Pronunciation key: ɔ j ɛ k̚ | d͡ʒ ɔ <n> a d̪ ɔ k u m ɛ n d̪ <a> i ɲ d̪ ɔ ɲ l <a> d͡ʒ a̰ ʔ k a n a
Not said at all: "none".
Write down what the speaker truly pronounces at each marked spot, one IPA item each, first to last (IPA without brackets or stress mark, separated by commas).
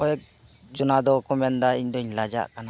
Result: n, a, a